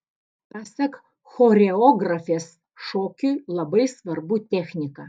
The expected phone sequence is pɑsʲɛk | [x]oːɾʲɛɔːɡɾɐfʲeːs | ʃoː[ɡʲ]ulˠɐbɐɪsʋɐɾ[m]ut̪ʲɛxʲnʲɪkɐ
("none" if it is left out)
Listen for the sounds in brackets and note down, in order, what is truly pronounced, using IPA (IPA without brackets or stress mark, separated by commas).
x, kʲ, b